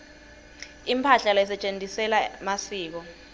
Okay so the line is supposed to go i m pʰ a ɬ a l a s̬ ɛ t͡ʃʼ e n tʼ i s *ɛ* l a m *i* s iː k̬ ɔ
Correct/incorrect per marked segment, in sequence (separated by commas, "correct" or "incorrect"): correct, incorrect